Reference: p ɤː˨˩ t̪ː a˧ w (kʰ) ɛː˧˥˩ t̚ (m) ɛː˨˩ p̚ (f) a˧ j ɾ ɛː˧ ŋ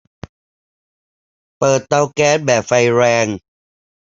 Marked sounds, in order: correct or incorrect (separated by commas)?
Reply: incorrect, incorrect, correct